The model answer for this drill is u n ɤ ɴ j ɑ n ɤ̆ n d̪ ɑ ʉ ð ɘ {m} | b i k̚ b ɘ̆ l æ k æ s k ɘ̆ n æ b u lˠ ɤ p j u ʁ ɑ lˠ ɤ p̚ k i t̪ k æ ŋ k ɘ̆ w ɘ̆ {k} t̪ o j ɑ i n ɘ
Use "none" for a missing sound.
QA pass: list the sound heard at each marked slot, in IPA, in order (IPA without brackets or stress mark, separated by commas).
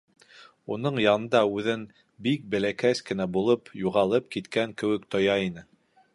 n, k